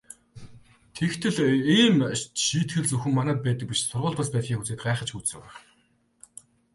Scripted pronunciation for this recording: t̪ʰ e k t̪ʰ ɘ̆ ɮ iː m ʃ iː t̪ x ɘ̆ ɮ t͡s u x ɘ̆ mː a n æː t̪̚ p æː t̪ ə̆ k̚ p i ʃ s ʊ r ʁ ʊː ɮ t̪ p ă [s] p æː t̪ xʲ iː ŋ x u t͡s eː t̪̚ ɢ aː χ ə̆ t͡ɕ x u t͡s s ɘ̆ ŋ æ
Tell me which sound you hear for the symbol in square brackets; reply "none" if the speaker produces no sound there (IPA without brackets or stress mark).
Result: s